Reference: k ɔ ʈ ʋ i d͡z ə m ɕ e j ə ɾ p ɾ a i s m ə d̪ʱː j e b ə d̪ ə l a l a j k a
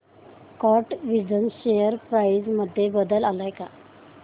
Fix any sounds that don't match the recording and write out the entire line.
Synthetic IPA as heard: k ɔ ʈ ʋ i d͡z ə n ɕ e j ə ɾ p ɾ a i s m ə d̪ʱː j e b ə d̪ ə l a l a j k a